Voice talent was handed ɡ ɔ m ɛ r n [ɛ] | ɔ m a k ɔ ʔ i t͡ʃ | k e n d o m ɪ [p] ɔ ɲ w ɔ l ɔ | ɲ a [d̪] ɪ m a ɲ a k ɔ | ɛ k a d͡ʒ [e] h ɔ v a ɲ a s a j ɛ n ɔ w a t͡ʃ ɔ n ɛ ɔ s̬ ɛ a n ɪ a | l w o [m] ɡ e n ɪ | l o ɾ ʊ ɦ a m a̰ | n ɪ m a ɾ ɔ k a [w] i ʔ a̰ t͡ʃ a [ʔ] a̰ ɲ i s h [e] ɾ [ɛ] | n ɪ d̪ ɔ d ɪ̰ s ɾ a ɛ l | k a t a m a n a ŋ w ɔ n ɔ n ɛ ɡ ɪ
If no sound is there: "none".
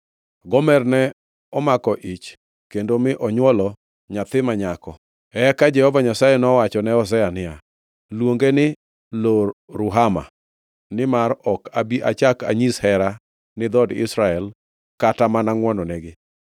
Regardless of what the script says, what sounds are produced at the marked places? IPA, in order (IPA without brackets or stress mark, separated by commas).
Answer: ɛ, ʔ, t̪, ɛ, ŋ, b, k, ɛ, a